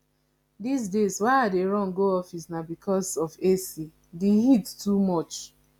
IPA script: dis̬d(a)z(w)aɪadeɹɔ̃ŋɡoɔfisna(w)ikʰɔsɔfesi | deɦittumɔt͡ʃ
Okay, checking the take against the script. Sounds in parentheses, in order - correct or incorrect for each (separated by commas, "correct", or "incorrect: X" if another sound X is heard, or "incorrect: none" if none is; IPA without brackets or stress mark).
incorrect: e, correct, incorrect: b